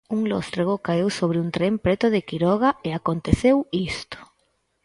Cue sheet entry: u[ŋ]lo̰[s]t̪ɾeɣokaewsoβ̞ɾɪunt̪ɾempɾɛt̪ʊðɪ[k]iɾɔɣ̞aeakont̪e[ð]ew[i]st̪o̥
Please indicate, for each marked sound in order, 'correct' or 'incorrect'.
correct, correct, correct, incorrect: θ, correct

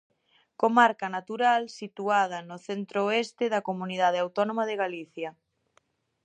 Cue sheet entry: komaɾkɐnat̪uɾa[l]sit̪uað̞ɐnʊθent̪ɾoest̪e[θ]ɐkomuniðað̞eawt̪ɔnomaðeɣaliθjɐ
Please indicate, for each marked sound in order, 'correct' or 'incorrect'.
correct, incorrect: ð

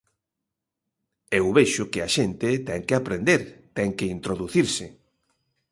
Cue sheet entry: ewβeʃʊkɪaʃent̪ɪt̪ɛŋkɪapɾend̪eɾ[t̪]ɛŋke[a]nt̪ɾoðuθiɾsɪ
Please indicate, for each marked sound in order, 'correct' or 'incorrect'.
correct, incorrect: i

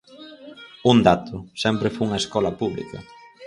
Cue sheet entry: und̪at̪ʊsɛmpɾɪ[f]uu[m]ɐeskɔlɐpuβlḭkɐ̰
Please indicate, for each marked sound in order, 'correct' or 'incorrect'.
correct, incorrect: ŋ

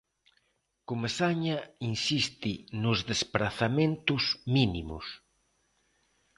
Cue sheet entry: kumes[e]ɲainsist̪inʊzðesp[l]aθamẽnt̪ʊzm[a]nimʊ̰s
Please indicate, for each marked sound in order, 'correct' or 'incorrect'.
incorrect: a, incorrect: ɾ, incorrect: i

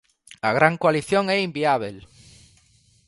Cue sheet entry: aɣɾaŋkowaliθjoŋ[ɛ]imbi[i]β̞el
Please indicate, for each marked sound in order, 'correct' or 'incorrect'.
correct, incorrect: a

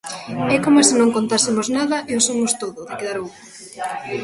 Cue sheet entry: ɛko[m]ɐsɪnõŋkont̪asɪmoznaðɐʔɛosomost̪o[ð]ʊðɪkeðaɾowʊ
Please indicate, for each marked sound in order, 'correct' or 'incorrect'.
correct, correct

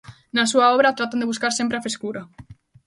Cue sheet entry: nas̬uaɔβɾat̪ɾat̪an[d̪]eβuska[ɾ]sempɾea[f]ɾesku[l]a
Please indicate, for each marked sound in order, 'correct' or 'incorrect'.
correct, correct, correct, incorrect: ɾ

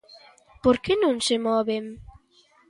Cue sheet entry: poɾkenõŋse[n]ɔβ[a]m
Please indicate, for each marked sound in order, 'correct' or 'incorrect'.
incorrect: m, incorrect: e

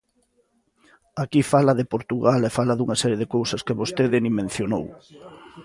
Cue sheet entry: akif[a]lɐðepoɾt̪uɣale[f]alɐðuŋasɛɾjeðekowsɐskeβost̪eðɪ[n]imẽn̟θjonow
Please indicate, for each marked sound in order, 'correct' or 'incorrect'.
correct, correct, correct

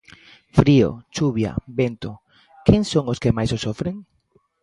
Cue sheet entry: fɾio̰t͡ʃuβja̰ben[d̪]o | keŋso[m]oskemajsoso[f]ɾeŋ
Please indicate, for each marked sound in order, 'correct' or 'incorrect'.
incorrect: t̪, incorrect: ŋ, correct

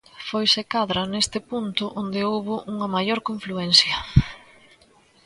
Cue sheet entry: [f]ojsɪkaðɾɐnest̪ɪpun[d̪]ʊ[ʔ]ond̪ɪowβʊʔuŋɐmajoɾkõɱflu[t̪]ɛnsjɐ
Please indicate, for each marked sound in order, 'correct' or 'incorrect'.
correct, incorrect: t̪, correct, incorrect: none

